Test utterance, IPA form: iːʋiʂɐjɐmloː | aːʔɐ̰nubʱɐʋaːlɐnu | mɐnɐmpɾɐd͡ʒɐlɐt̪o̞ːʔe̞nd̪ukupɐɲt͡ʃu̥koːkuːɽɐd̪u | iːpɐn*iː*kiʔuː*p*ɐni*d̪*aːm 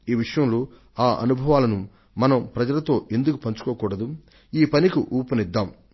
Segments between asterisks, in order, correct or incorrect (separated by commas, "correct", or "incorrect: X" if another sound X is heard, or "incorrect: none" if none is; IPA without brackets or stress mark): incorrect: i, correct, incorrect: d̪ː